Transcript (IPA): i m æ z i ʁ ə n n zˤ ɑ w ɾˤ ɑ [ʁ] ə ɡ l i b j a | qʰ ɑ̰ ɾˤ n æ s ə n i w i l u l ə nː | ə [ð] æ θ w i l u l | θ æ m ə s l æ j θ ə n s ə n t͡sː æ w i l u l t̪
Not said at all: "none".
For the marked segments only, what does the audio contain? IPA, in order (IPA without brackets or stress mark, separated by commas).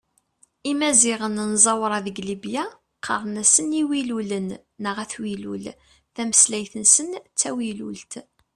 ð, ʁ